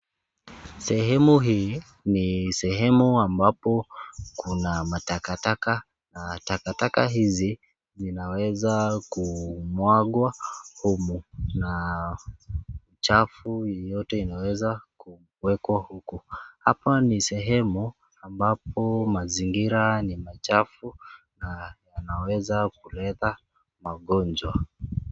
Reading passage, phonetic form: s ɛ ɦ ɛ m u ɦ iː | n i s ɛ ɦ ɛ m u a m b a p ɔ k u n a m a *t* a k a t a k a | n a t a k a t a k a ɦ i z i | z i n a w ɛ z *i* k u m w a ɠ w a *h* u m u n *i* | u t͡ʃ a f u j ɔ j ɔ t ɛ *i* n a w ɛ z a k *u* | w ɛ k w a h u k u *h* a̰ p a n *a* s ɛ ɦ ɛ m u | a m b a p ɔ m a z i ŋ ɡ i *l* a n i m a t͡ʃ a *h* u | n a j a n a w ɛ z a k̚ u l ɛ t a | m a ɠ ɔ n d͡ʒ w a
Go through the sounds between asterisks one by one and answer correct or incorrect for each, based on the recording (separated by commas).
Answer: correct, incorrect, correct, incorrect, correct, correct, correct, incorrect, incorrect, incorrect